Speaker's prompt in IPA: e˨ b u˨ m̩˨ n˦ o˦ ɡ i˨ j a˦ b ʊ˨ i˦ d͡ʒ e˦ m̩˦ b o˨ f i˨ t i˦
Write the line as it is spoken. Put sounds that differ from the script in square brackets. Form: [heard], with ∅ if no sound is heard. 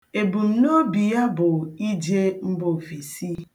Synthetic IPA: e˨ b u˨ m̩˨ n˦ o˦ [b] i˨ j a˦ b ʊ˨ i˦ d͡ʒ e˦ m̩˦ b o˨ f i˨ [s] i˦